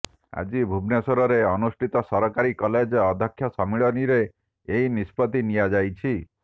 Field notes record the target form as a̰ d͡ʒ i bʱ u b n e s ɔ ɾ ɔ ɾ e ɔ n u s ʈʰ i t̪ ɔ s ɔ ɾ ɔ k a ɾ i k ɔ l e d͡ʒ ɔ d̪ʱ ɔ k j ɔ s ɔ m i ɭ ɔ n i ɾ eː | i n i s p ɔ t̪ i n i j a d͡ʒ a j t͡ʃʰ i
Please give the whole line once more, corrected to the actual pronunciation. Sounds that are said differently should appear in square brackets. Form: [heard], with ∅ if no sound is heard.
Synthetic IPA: a̰ d͡ʒ i bʱ u b n e s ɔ ɾ ɔ ɾ e ɔ n u s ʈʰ i t̪ ɔ s ɔ ɾ ɔ k a ɾ i k ɔ l e d͡ʒ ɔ d̪ʱ ɔ [kʰ] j ɔ s ɔ m i ɭ ɔ n i ɾ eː | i n i s p ɔ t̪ i n i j a d͡ʒ a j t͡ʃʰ i